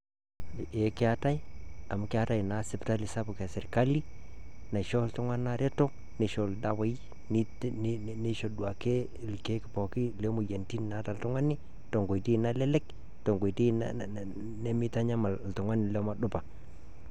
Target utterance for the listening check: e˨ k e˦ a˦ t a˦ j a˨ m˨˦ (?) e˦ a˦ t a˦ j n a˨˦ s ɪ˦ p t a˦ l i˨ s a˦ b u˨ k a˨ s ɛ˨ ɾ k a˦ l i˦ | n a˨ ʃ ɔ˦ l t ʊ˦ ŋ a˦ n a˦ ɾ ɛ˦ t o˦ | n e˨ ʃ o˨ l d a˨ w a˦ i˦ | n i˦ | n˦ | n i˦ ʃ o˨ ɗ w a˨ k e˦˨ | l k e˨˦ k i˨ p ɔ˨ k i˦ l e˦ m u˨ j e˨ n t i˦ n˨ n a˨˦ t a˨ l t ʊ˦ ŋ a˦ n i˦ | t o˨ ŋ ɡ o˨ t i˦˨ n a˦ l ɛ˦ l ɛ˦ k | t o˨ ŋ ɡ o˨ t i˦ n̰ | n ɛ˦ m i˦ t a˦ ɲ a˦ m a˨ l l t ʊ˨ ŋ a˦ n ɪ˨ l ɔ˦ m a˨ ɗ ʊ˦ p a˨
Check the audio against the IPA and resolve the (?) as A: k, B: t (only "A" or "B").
A